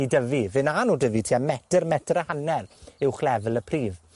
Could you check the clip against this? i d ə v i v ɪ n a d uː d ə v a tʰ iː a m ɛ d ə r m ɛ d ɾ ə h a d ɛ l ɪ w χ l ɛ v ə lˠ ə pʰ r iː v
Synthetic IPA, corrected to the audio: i d ə v i v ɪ n a n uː d ə v i tʰ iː a m ɛ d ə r m ɛ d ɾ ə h a n ɛ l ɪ w χ l ɛ v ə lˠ ə pʰ r iː v